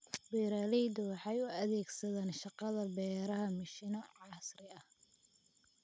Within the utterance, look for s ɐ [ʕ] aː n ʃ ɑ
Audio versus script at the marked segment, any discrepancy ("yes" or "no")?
yes